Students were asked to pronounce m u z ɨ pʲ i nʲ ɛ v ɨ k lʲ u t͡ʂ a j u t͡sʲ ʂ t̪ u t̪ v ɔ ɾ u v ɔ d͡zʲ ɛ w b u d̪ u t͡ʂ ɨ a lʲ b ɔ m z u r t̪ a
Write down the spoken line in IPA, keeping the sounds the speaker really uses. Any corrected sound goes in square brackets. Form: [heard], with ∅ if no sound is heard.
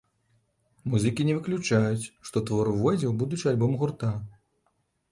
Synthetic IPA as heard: m u z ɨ [kʲ] i nʲ ɛ v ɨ k lʲ u t͡ʂ a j u t͡sʲ ʂ t̪ [ɔ] t̪ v ɔ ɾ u v ɔ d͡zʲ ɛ w b u d̪ u t͡ʂ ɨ a lʲ b ɔ m [ɣ] u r t̪ a

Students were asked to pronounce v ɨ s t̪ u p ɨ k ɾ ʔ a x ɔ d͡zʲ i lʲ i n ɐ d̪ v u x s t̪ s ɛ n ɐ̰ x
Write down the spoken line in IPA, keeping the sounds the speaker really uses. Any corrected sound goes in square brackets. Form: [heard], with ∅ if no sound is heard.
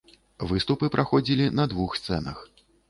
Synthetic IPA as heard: v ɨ s t̪ u p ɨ [p] ɾ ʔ a x ɔ d͡zʲ i lʲ i n ɐ d̪ v u x s t̪ s ɛ n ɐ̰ x

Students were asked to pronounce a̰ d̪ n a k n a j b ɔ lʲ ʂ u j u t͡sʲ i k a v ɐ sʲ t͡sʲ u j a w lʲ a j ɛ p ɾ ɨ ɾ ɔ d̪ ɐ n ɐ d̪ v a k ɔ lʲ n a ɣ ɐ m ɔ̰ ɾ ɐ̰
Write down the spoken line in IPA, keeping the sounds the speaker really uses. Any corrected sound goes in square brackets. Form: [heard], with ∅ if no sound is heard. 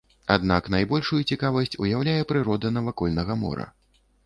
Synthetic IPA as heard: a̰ d̪ n a k n a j b ɔ lʲ ʂ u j u t͡sʲ i k a v ɐ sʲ t͡sʲ u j a w lʲ a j ɛ p ɾ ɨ ɾ ɔ d̪ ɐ n ɐ [∅] v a k ɔ lʲ n [ɐ] ɣ ɐ m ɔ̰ ɾ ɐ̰

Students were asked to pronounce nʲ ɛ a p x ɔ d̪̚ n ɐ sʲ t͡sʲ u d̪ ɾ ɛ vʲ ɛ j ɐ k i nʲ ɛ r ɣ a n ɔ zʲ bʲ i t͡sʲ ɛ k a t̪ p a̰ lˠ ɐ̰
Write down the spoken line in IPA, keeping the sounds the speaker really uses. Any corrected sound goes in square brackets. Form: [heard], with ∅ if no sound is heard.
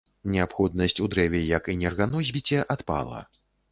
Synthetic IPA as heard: nʲ ɛ a p x ɔ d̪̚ n ɐ sʲ t͡sʲ u d̪ ɾ ɛ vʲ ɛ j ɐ k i nʲ ɛ r ɣ a n ɔ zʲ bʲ i t͡sʲ ɛ [ʔ] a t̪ p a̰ lˠ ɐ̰

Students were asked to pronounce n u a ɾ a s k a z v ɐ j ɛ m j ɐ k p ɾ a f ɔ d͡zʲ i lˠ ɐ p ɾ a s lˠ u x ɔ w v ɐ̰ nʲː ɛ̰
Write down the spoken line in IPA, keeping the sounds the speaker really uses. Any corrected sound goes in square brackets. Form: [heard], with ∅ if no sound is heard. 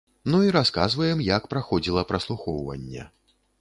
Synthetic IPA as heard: n u [i] ɾ a s k a z v ɐ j ɛ m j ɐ k p ɾ a [x] ɔ d͡zʲ i lˠ ɐ p ɾ [ɐ] s lˠ u x ɔ w v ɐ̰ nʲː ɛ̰

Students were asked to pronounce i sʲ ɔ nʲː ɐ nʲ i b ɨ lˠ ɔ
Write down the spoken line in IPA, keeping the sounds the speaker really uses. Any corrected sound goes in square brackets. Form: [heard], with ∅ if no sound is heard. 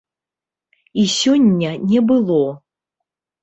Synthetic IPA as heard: i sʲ ɔ nʲː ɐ nʲ [ɛ] b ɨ lˠ ɔ

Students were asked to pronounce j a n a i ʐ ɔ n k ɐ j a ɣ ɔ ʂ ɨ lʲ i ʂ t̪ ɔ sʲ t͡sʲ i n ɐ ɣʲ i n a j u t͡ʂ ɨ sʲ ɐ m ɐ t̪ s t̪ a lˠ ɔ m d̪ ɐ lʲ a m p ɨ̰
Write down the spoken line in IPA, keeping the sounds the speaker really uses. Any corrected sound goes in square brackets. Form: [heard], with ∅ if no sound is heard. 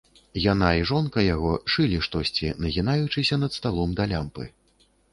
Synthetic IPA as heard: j a n a i ʐ ɔ n k ɐ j a ɣ ɔ ʂ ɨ lʲ i ʂ t̪ ɔ sʲ t͡sʲ i n ɐ ɣʲ i n a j u t͡ʂ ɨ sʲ ɐ [n] ɐ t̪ s t̪ a lˠ ɔ m d̪ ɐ lʲ a m p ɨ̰

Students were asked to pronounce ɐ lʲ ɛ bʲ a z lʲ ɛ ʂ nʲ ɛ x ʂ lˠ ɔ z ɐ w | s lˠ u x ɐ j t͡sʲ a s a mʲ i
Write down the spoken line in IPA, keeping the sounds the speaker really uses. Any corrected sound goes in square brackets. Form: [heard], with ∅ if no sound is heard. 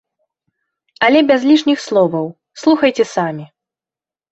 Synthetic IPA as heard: ɐ lʲ ɛ bʲ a z lʲ [i] ʂ nʲ [i] x [s] lˠ ɔ [v] ɐ w | s lˠ u x ɐ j t͡sʲ [ɛ] s a mʲ i

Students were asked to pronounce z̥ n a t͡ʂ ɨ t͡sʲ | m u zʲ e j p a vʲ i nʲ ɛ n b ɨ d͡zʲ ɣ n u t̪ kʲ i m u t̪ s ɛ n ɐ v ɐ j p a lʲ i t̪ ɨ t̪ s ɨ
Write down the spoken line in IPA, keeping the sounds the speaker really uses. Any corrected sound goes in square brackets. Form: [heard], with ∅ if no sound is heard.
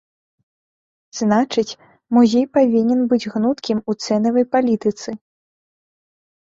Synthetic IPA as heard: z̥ n a t͡ʂ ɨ t͡sʲ | m u zʲ e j p a vʲ i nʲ ɛ n b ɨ d͡zʲ ɣ n u t̪ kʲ i m u t̪ s ɛ n ɐ v ɐ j p a lʲ i t̪ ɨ t̪ s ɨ

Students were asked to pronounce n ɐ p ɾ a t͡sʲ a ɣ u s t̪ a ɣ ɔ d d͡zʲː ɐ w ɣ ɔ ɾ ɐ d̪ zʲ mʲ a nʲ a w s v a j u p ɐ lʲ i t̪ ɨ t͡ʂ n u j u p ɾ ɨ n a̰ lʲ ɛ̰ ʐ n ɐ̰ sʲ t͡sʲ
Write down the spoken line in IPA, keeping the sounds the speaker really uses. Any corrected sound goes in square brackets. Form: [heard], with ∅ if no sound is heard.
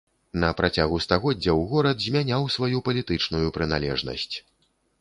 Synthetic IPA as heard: n ɐ p ɾ a t͡sʲ a ɣ u s t̪ a ɣ ɔ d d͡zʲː ɐ w ɣ ɔ ɾ ɐ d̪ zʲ mʲ a nʲ a w s v a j u p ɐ lʲ i t̪ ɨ t͡ʂ n u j u p ɾ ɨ n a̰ lʲ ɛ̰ ʐ n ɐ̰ sʲ t͡sʲ

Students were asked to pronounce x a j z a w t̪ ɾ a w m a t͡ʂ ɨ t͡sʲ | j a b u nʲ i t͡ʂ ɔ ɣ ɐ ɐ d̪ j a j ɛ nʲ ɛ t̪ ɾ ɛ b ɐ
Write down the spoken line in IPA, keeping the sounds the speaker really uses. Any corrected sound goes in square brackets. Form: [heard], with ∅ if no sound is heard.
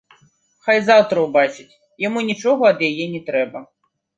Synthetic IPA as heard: x a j z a w t̪ ɾ [ɐ] w [b] a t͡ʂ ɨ t͡sʲ | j a [m] u nʲ i t͡ʂ ɔ ɣ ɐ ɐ d̪ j a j ɛ nʲ ɛ t̪ ɾ ɛ b ɐ

